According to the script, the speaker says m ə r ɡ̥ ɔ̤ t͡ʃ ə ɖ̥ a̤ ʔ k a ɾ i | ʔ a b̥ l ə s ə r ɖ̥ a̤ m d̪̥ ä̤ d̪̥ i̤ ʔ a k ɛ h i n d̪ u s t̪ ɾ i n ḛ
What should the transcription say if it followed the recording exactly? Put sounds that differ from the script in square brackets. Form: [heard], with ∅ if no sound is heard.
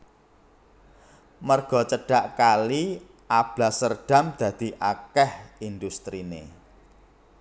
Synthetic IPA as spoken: m ə r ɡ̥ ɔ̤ t͡ʃ ə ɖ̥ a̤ ʔ k a [l] i | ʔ a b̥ l [a] s ə r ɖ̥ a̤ m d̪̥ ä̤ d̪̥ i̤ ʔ a k ɛ h i n d̪ u s t̪ ɾ i n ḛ